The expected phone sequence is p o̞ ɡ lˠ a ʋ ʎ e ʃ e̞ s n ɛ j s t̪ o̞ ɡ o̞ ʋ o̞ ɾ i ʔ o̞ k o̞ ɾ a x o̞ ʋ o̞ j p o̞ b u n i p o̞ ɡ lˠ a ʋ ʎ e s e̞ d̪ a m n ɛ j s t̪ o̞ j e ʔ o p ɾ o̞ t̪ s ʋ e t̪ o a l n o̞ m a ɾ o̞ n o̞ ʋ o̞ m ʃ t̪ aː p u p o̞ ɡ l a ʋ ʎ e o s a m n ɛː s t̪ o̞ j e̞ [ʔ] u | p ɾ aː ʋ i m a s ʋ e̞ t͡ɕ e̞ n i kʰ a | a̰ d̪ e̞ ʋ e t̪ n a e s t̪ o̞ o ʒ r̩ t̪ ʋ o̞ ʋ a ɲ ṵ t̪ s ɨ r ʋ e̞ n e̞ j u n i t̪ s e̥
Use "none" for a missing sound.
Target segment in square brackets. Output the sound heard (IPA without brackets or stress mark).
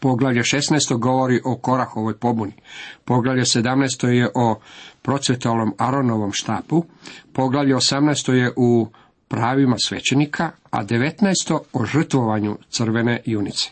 ʔ